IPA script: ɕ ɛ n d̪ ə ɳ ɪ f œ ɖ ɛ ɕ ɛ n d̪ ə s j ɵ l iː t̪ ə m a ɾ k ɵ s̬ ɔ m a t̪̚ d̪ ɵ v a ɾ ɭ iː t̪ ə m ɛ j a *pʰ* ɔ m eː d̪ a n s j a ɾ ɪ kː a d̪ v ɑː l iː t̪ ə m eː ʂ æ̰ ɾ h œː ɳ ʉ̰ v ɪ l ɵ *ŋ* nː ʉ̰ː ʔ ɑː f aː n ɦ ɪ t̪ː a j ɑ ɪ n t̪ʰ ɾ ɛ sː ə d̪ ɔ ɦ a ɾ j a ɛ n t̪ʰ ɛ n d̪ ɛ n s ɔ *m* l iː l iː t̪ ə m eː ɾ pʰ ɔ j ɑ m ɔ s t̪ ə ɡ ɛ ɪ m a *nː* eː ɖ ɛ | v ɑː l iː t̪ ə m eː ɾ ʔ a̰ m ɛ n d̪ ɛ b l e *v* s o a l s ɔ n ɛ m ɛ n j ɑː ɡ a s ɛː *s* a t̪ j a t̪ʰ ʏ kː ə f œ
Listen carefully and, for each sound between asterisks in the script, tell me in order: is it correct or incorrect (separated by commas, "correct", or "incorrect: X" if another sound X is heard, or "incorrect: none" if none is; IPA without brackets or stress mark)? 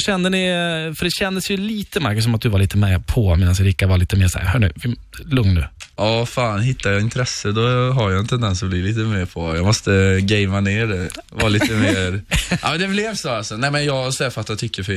correct, correct, incorrect: b, incorrect: n, correct, incorrect: f